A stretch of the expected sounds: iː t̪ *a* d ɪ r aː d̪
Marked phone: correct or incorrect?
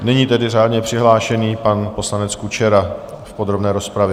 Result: incorrect